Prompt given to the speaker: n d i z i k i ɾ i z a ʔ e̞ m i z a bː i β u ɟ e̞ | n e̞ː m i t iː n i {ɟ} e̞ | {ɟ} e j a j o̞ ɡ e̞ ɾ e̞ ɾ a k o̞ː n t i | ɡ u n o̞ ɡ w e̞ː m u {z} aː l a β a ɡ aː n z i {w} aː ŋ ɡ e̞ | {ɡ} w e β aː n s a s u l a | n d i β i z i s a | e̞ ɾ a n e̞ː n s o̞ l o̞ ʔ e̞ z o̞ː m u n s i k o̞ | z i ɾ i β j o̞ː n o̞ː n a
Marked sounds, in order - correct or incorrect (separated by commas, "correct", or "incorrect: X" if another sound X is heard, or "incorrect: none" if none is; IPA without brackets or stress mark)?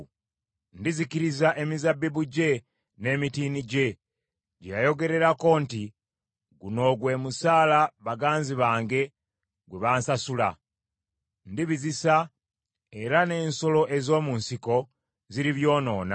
correct, correct, incorrect: s, incorrect: β, correct